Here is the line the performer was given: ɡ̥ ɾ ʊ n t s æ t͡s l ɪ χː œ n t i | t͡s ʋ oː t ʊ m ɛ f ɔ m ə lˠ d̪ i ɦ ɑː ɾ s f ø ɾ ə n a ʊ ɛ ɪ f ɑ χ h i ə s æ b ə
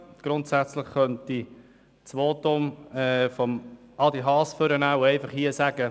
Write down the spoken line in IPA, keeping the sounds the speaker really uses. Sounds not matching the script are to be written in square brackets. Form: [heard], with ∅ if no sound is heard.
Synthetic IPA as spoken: ɡ̥ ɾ ʊ n t s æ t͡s l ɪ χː œ n t i | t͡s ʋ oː t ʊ m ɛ f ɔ m [ɑ] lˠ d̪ i ɦ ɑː [∅] s f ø ɾ ə n a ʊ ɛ ɪ f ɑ χ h i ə s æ [ɡ] ə

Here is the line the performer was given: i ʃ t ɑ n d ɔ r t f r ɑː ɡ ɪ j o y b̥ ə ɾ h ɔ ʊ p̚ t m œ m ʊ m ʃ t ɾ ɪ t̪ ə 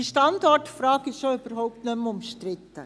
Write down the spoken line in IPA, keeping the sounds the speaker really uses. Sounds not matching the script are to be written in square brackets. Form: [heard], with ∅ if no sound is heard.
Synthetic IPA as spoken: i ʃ t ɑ n d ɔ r t f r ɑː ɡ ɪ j o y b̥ ə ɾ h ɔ ʊ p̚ t [n] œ m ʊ m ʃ t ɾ ɪ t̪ ə

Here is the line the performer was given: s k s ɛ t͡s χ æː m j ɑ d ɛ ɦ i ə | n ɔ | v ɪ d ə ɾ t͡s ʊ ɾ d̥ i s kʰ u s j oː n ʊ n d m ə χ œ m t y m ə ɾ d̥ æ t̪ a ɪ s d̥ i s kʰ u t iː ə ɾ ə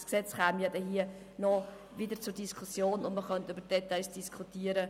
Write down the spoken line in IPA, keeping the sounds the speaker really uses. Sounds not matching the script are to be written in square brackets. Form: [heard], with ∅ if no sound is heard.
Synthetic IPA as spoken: s k s ɛ t͡s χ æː m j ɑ d ɛ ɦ i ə | n ɔ | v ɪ d ə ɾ t͡s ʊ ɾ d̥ i s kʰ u s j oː n ʊ n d m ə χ œ [n] t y [b] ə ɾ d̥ [ɛ] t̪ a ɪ s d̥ i s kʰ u t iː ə ɾ ə

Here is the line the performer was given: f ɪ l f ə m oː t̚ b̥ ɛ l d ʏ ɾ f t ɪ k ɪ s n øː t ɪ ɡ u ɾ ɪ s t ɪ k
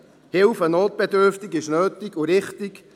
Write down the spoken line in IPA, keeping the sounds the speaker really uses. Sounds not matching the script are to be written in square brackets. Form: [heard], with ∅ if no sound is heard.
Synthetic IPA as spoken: [h] ɪ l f ə [n] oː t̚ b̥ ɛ [∅] d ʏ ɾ f t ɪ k ɪ [ʃ] n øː t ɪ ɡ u ɾ ɪ [χ] t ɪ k

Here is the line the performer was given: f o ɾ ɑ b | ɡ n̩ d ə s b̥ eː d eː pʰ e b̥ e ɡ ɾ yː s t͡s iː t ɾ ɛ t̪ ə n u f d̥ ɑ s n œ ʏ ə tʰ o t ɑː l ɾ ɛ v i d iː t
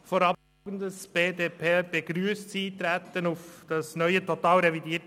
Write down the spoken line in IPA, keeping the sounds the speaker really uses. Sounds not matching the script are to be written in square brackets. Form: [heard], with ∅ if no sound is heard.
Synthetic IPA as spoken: f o ɾ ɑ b | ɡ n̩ d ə s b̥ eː d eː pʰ e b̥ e ɡ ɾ yː s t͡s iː t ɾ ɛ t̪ ə n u f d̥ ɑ s n œ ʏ ə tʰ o t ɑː l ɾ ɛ v i d iː t

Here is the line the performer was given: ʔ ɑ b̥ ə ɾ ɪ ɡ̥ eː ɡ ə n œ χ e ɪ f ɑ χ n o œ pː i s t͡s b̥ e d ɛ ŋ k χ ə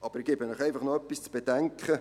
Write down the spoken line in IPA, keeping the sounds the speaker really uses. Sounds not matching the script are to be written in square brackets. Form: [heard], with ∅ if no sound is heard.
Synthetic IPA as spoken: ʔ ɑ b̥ ə ɾ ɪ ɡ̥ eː [b] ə n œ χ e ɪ f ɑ χ n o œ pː i s t͡s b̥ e d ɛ ŋ k χ ə

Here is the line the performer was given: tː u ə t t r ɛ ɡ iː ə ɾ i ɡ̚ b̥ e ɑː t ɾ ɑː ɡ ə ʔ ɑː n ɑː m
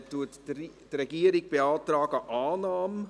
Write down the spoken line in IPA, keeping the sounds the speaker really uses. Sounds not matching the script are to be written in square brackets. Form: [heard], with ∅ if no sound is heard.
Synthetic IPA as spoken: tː u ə t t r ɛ ɡ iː ə ɾ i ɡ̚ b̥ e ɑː t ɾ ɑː ɡ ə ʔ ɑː n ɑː m

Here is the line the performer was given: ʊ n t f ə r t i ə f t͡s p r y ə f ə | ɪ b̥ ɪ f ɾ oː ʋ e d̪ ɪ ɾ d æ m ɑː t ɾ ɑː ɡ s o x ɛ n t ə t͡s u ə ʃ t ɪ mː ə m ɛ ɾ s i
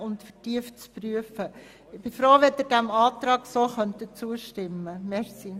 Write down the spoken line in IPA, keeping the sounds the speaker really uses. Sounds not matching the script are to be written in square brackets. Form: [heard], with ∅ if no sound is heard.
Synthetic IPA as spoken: ʊ n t f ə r t i ə f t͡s p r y ə f ə | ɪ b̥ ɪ f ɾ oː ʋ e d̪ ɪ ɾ d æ m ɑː t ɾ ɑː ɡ s o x [œ] n t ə t͡s u ə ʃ t ɪ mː ə m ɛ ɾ s i

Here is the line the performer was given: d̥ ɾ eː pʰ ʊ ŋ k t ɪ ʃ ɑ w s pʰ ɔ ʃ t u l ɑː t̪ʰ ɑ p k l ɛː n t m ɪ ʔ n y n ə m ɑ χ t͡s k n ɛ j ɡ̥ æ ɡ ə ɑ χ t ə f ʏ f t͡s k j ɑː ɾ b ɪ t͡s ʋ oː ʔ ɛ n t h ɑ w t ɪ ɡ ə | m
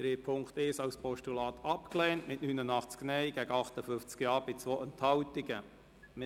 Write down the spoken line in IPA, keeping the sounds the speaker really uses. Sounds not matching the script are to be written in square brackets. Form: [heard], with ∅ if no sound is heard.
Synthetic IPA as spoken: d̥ ɾ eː pʰ ʊ ŋ k t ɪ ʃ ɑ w s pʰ ɔ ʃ t u l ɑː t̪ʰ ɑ p k l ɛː n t m ɪ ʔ n y n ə [n] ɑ χ t͡s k n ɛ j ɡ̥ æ ɡ ə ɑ χ t ə f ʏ f t͡s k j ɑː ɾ b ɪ t͡s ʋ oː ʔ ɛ n t h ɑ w t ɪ ɡ ə | m

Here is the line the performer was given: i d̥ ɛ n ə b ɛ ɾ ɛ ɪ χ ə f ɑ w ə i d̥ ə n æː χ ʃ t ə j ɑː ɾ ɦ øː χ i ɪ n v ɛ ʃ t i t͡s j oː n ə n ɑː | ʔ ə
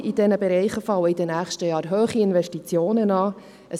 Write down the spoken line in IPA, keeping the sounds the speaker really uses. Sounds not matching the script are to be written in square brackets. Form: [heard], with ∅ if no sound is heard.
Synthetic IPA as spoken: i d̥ ɛ n ə b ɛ ɾ ɛ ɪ χ ə f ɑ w ə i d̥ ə n æː χ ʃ t ə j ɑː ɾ ɦ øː χ i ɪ n v ɛ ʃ t i t͡s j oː n ə n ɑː | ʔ ə

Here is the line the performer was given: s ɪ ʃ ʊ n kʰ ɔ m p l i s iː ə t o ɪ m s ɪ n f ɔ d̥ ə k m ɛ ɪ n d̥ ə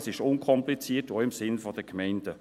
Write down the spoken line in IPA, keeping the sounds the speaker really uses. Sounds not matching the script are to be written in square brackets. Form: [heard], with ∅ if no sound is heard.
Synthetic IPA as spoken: s ɪ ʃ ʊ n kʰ ɔ m p l i [t͡s] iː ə t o ɪ m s ɪ n f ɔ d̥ ə k m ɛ ɪ n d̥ ə

